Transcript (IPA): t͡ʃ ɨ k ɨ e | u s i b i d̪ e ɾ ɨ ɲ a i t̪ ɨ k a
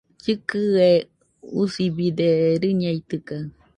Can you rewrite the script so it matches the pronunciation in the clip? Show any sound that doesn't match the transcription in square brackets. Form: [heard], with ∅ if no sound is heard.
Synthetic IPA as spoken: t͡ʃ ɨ k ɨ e | u s i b i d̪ e ɾ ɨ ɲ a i t̪ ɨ k a